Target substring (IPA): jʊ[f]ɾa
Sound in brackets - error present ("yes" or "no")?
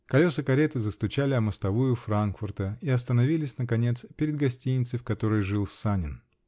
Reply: no